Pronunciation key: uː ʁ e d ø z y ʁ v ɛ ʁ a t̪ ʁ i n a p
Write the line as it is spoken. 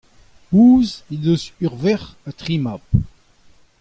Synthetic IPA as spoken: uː z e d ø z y ʁ v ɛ ʁ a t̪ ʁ i m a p